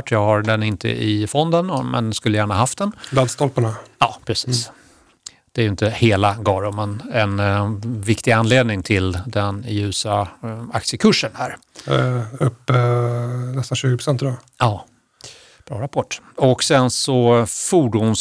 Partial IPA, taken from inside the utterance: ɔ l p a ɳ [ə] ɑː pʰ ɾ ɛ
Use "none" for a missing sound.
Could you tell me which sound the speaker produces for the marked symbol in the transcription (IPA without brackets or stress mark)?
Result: a